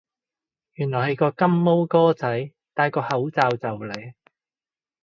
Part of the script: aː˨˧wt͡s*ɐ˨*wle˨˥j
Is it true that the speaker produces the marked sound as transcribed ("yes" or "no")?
yes